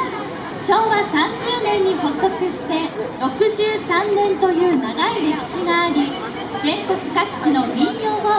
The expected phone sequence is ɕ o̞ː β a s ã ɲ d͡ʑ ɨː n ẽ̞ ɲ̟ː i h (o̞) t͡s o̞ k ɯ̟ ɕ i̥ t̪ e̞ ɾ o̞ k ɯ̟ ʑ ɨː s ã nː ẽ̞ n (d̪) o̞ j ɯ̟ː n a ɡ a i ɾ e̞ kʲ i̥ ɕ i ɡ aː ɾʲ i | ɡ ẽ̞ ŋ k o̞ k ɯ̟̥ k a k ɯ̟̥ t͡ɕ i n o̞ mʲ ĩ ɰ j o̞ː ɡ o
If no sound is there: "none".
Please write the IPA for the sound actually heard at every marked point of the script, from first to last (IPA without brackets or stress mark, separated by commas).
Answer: o̞, t̪